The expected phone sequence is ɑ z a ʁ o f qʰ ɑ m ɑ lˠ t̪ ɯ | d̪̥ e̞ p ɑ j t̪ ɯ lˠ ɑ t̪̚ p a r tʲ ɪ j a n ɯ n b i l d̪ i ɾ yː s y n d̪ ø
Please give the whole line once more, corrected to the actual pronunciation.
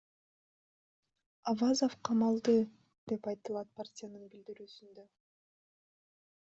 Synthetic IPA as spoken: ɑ v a z o f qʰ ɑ m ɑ lˠ d̪ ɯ | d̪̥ e̞ p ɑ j t̪ ɯ lˠ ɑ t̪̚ p a r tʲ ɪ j a n ɯ n b i l d̪ i ɾ yː s y n d̪ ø